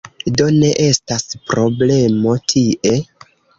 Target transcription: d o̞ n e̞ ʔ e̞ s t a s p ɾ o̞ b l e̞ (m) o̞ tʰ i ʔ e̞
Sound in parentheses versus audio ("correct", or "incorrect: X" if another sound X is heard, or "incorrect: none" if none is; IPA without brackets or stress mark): correct